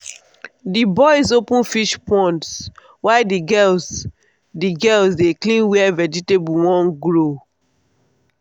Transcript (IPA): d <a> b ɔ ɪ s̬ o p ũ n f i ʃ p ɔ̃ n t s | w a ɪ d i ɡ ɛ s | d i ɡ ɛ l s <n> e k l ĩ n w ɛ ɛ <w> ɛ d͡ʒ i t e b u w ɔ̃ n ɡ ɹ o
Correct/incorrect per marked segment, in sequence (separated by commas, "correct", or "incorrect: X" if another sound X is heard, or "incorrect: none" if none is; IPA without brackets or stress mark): incorrect: i, incorrect: d, incorrect: v